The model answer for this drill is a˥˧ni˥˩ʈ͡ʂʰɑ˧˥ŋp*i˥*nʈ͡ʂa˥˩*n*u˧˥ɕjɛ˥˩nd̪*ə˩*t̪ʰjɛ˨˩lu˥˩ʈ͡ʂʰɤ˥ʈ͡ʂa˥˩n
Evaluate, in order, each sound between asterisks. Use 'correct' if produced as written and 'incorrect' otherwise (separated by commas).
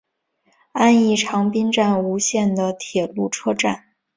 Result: correct, correct, correct